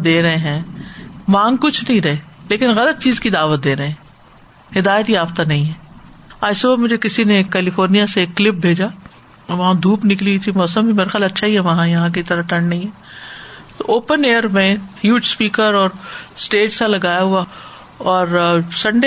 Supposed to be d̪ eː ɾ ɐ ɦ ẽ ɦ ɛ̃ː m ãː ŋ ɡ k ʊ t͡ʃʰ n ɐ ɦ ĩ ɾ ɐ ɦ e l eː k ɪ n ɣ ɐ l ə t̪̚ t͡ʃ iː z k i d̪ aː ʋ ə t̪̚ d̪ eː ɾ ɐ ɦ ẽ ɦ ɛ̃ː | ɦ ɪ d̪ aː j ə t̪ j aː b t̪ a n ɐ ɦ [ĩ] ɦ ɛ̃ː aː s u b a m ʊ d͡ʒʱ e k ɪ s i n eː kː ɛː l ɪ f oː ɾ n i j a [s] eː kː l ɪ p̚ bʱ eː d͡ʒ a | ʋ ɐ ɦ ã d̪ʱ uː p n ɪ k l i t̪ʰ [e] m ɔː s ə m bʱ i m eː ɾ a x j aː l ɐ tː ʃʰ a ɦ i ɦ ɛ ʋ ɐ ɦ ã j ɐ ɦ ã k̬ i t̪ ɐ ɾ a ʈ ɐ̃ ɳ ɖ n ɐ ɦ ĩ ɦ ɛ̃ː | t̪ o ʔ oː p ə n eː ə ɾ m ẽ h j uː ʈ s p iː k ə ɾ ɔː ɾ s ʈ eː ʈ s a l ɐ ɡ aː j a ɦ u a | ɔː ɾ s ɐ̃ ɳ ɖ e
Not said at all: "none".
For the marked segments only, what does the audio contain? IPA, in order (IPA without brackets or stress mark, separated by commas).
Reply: ĩ, s, i